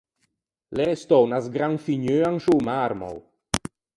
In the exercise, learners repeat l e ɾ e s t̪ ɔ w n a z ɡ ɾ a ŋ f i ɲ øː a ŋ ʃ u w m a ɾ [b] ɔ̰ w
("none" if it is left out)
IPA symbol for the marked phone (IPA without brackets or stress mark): m